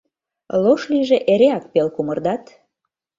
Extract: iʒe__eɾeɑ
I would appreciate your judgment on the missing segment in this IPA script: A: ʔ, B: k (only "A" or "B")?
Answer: A